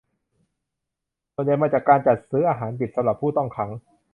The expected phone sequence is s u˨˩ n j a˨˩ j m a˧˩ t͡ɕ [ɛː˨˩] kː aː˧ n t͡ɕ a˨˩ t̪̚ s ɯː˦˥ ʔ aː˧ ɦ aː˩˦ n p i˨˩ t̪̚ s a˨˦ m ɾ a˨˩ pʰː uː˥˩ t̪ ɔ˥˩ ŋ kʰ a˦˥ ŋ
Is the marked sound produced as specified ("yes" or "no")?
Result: no